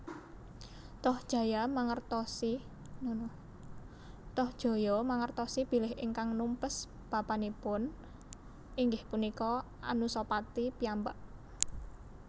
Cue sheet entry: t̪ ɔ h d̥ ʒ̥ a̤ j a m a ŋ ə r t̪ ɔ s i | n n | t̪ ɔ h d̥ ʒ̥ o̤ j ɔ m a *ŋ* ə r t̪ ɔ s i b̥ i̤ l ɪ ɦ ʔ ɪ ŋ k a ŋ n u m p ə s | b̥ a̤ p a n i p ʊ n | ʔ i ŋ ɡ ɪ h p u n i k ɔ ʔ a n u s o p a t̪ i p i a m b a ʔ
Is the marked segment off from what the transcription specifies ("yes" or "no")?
no